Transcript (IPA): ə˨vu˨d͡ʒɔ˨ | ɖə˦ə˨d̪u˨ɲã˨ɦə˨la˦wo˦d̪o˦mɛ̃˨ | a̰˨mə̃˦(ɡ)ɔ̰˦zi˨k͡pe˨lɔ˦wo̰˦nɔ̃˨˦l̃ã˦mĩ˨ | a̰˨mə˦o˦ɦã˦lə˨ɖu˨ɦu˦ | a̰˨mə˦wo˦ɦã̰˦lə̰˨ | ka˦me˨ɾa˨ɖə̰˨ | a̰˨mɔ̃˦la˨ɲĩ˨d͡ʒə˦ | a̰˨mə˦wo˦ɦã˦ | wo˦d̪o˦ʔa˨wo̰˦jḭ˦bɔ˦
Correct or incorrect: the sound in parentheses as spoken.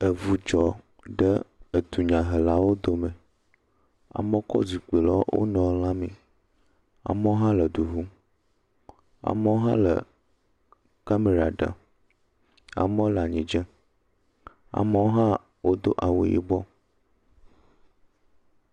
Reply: incorrect: k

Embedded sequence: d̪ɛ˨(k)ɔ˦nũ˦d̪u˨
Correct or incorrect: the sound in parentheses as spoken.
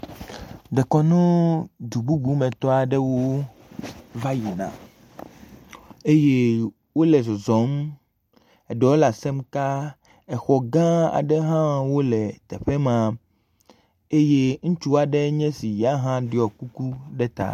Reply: correct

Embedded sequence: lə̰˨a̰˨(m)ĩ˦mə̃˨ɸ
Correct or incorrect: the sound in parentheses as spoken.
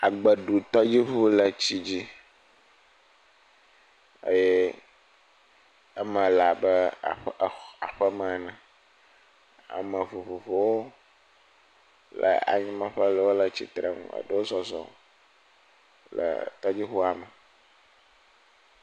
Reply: incorrect: ɲ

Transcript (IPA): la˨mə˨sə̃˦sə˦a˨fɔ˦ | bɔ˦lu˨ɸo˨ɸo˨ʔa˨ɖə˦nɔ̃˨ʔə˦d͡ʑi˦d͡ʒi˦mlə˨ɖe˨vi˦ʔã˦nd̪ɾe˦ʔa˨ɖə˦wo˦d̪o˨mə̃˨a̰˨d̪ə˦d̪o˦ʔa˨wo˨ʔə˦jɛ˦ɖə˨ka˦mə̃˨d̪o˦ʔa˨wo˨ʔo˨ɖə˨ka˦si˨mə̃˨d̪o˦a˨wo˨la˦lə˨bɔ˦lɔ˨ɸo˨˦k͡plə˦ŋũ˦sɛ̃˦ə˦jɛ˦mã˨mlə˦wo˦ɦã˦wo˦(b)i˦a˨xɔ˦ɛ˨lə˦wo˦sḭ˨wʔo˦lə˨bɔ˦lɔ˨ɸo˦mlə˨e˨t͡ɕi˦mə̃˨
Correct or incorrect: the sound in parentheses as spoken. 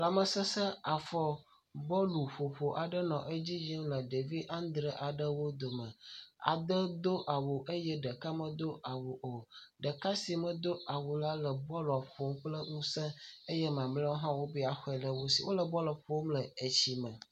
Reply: correct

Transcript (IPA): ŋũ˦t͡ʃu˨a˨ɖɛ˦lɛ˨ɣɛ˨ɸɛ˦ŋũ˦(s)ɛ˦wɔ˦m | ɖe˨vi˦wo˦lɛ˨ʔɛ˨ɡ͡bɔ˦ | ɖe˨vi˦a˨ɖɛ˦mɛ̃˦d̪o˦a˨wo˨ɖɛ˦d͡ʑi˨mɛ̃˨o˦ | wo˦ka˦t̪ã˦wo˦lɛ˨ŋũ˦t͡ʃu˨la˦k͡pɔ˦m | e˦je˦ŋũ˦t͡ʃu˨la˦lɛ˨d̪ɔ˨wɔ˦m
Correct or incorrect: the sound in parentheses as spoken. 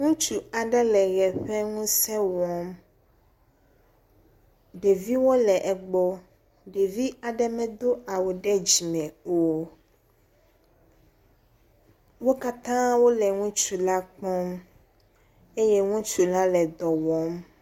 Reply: correct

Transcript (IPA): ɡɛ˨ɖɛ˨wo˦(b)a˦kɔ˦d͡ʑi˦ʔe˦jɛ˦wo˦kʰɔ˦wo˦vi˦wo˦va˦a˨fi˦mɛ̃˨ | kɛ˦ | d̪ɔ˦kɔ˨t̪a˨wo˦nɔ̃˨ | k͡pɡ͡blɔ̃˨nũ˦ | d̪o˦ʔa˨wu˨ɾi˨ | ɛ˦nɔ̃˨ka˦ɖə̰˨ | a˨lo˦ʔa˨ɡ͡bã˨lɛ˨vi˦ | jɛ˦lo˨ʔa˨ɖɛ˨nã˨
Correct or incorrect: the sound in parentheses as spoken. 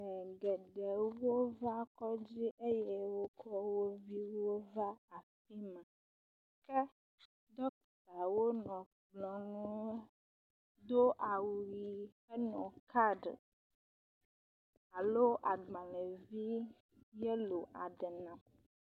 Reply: incorrect: v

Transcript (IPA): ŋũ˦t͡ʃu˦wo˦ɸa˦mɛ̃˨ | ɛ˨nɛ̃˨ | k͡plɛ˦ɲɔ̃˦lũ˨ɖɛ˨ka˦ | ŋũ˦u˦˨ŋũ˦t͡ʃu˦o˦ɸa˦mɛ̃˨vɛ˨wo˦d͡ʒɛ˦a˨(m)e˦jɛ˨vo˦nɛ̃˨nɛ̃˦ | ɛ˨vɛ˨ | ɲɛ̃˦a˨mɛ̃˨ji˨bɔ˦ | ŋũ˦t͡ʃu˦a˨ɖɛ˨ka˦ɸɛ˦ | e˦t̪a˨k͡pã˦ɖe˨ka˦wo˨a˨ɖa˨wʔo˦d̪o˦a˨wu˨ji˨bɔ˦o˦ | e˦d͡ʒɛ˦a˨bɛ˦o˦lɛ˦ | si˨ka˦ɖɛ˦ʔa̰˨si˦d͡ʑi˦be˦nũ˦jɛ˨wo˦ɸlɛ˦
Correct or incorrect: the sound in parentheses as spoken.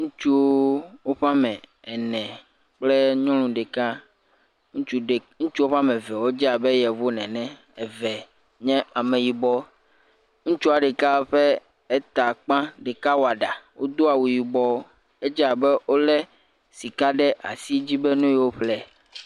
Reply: incorrect: b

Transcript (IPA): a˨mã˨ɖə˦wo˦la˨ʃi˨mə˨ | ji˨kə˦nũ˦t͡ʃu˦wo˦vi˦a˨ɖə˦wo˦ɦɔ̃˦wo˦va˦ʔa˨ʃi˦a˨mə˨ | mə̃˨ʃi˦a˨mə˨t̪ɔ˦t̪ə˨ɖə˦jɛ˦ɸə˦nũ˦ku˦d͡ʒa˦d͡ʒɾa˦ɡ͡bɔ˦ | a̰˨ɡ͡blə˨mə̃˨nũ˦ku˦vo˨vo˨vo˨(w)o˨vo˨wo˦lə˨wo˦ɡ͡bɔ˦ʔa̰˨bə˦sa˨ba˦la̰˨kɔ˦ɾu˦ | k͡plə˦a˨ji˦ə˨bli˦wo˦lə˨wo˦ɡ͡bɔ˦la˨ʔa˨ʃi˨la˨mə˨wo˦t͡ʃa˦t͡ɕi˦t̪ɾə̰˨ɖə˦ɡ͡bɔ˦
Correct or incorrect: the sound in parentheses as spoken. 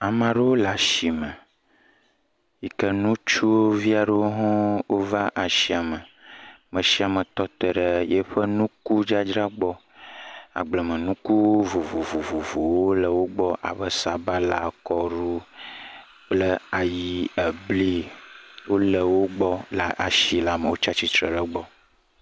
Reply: incorrect: v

